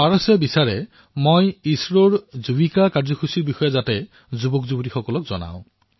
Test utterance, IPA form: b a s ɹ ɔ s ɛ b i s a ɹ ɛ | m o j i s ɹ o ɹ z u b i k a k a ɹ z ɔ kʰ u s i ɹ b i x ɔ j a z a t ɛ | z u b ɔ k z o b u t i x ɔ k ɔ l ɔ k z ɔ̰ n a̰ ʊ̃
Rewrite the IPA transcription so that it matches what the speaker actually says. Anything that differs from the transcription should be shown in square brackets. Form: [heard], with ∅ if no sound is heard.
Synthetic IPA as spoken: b a [∅] ɹ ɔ s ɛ b i s a ɹ ɛ | m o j i s ɹ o ɹ z u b i k a k a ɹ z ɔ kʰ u s i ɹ b i x ɔ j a z a t ɛ | z u b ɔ k z [u] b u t i x ɔ k ɔ l ɔ k z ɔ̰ n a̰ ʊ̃

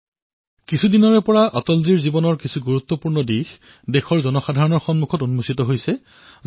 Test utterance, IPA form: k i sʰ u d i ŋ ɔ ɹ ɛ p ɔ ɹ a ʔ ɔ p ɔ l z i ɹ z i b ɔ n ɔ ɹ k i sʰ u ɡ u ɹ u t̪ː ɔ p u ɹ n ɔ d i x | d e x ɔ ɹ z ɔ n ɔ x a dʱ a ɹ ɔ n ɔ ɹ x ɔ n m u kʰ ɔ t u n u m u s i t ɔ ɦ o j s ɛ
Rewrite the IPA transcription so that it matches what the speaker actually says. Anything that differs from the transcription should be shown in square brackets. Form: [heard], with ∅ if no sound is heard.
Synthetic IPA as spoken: k i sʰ u d i [n] ɔ ɹ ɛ p ɔ ɹ a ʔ ɔ [t] ɔ l z i ɹ z i b ɔ n ɔ ɹ k i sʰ u ɡ u ɹ u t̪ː ɔ p u ɹ n ɔ d i x | d e x ɔ ɹ z ɔ n ɔ x a dʱ a ɹ ɔ n ɔ ɹ x ɔ n m u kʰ ɔ t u n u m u s i t ɔ ɦ o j s ɛ

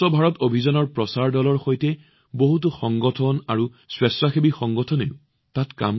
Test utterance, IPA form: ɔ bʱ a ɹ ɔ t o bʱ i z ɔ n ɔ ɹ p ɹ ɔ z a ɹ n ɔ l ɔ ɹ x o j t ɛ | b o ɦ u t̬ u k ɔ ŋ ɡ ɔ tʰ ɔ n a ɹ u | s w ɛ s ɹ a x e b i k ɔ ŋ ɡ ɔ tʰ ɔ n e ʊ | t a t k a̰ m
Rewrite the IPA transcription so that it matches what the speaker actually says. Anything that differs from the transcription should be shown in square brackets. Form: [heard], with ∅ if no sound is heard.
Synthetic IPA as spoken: ɔ bʱ a ɹ ɔ t o bʱ i z ɔ n ɔ ɹ p ɹ ɔ [s] a ɹ [d] ɔ l ɔ ɹ x o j t ɛ | b o ɦ u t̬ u [x] ɔ ŋ ɡ ɔ tʰ ɔ n a ɹ u | s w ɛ s ɹ a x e b i [x] ɔ ŋ ɡ ɔ tʰ ɔ n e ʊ | t a t k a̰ m

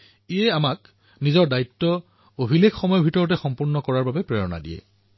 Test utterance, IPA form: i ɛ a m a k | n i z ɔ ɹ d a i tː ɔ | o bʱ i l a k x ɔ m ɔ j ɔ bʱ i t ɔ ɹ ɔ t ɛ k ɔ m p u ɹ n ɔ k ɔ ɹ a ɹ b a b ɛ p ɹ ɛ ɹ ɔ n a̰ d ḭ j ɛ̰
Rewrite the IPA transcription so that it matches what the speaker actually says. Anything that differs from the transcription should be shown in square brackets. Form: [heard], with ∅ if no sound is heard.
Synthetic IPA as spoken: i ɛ a m a k | n i z ɔ ɹ d a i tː ɔ | o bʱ i l [e] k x ɔ m ɔ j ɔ bʱ i t ɔ ɹ ɔ t ɛ [x] ɔ m p u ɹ n ɔ k ɔ ɹ a ɹ b a b ɛ p ɹ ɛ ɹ ɔ n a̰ d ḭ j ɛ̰

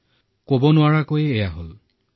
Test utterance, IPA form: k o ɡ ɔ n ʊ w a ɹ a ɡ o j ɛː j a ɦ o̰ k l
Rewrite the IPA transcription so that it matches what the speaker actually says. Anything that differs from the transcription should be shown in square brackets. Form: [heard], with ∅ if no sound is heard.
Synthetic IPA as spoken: k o [b] ɔ n ʊ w a ɹ a [k] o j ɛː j a ɦ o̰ [∅] l

